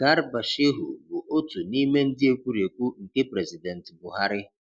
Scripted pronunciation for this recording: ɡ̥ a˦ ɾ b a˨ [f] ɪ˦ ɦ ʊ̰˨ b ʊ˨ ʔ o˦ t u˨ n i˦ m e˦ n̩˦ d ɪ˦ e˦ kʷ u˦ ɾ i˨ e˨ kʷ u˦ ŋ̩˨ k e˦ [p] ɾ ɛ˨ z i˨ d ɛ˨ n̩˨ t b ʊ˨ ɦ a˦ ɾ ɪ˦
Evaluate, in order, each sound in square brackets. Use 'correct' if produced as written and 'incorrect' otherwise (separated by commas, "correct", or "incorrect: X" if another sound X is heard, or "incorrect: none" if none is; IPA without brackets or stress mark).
incorrect: ʃ, correct